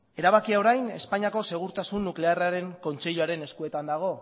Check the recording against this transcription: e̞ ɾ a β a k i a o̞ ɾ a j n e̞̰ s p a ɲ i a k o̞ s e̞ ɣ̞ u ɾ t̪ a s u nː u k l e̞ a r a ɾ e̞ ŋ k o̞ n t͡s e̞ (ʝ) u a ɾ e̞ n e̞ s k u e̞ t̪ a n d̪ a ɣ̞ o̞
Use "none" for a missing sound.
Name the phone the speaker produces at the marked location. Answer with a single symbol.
ʎ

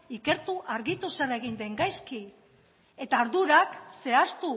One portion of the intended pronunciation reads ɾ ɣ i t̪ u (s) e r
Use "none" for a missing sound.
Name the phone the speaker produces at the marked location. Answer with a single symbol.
s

